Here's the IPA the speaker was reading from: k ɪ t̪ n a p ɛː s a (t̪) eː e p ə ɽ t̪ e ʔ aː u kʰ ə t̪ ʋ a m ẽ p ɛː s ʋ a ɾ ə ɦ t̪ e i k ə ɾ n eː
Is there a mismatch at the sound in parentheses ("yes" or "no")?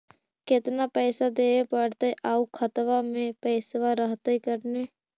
yes